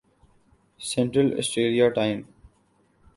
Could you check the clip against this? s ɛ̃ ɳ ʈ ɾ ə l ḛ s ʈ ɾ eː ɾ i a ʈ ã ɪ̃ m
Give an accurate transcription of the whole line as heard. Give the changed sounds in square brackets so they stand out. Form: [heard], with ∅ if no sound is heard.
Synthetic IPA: s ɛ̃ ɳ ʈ ɾ ə l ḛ s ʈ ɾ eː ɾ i a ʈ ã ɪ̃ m